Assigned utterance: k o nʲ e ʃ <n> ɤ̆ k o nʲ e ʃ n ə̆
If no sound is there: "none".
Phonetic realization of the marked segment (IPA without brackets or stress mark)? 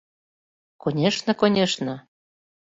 n